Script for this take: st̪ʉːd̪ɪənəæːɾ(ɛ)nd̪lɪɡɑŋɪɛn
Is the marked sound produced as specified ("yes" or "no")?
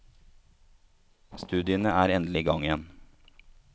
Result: yes